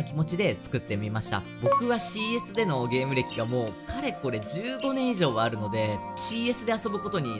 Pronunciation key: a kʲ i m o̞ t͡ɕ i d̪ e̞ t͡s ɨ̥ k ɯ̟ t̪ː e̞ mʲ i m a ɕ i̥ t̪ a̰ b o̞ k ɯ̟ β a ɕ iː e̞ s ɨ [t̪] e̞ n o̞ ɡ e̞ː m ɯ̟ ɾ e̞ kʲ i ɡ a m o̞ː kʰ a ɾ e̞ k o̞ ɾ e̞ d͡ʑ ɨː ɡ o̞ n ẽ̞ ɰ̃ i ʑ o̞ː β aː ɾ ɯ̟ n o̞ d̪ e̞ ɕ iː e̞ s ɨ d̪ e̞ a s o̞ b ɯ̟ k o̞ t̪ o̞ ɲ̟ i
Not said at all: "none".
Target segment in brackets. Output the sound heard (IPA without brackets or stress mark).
d̪